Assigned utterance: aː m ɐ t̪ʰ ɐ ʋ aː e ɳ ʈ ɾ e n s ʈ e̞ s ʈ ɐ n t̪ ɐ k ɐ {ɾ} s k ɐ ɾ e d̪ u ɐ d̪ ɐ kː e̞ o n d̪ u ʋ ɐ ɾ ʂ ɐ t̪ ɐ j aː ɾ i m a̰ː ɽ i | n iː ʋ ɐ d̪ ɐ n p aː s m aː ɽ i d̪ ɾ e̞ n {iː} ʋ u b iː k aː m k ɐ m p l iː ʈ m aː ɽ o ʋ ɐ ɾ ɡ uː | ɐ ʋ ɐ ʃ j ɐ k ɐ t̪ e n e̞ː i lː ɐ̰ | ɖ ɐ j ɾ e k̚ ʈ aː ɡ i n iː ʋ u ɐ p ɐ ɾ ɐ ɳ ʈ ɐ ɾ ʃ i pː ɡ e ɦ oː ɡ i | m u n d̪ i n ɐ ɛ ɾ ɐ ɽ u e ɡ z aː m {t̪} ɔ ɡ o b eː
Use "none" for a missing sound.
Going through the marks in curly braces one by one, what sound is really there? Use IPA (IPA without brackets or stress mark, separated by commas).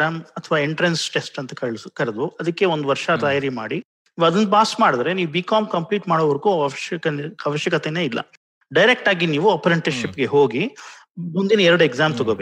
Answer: ɭ, iː, t̪